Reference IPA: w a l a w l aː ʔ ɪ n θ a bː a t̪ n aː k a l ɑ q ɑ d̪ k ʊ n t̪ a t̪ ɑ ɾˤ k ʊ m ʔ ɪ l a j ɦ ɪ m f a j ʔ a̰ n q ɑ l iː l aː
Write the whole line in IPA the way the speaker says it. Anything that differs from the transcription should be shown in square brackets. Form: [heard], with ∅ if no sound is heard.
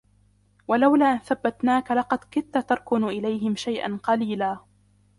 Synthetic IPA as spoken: w a l a w l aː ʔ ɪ n θ a bː a t̪ n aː k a l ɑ q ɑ d̪ k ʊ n t̪ a t̪ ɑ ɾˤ k ʊ [n] ʔ ɪ l a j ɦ ɪ m [ʃ] a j ʔ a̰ n q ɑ l iː l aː